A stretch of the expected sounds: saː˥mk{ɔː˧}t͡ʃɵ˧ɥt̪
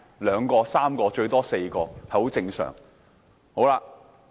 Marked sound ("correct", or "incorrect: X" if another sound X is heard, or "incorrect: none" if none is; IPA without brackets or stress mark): correct